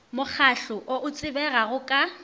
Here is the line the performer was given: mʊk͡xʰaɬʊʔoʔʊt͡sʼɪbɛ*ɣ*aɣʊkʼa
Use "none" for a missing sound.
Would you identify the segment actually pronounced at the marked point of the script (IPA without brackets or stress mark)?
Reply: ɣ